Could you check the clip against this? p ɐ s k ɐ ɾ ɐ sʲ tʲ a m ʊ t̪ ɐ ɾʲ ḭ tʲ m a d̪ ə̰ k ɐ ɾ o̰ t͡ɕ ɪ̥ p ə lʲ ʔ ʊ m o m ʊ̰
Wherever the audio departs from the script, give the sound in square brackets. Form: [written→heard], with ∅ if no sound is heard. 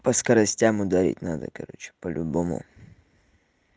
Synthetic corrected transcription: p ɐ s k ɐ ɾ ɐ sʲ tʲ a m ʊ [t̪→d̪] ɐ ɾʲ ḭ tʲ [m→n] a d̪ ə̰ k ɐ ɾ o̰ t͡ɕ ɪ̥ p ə lʲ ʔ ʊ [m→b] o m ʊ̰